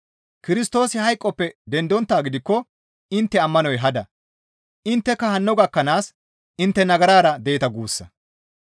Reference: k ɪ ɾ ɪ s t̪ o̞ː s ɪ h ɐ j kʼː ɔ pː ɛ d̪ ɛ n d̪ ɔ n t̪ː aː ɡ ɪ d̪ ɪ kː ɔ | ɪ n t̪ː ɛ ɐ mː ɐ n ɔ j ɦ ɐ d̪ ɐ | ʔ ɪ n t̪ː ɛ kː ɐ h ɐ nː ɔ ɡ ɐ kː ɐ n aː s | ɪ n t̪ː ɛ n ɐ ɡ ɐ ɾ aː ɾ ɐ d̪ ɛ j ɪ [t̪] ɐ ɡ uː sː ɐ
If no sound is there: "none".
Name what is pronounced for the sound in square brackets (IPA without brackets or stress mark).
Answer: t̪